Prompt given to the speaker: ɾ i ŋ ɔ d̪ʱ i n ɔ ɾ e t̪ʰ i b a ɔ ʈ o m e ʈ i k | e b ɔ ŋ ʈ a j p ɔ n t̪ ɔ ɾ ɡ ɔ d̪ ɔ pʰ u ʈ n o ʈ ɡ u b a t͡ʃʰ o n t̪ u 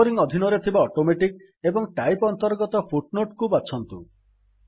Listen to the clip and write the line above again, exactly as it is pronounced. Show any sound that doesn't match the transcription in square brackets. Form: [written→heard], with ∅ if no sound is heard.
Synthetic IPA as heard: ɾ i ŋ ɔ d̪ʱ i n ɔ ɾ e t̪ʰ i b a ɔ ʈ o m e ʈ i k | e b ɔ ŋ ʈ a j p ɔ n t̪ ɔ ɾ ɡ ɔ [d̪→t̪] ɔ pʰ u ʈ n o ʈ [ɡ→k] u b a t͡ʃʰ [o→ɔ] n t̪ u